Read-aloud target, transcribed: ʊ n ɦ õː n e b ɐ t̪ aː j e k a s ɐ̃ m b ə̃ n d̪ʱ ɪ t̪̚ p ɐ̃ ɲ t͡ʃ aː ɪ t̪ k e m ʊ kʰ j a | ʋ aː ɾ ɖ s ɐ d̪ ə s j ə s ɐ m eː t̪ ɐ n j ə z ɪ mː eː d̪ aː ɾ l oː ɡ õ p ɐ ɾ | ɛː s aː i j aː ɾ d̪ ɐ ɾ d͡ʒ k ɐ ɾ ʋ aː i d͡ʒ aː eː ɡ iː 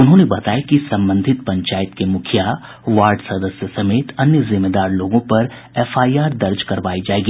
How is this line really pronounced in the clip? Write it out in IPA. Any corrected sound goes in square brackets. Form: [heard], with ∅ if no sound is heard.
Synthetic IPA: ʊ n ɦ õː n e b ɐ t̪ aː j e k [i] s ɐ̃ m b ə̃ n d̪ʱ ɪ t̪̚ p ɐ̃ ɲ t͡ʃ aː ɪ t̪ k e m ʊ kʰ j a | ʋ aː ɾ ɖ s ɐ d̪ ə s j ə s ɐ m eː t̪ ɐ n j ə z ɪ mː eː d̪ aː ɾ l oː ɡ õ p ɐ ɾ | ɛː [f] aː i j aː ɾ d̪ ɐ ɾ d͡ʒ k ɐ ɾ ʋ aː i d͡ʒ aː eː ɡ iː